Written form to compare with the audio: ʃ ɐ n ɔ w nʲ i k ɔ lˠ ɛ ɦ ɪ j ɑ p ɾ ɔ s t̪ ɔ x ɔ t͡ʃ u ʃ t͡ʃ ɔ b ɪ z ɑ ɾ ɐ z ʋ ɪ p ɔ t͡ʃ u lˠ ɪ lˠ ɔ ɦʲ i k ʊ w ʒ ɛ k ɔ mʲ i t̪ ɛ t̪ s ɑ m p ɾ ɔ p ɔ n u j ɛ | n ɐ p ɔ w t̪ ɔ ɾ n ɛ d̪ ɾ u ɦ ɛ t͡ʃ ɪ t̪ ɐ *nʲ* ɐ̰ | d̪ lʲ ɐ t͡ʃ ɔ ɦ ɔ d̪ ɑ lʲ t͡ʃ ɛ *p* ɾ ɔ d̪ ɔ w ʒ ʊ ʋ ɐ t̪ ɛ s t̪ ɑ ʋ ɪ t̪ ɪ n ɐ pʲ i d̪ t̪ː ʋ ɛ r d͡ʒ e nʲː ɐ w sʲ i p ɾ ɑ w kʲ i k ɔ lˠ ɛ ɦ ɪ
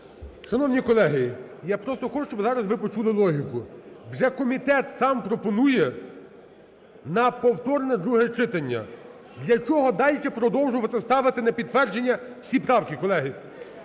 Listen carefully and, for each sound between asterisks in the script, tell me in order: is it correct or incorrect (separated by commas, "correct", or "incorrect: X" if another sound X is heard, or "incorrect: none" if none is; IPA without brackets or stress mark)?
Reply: incorrect: nʲː, correct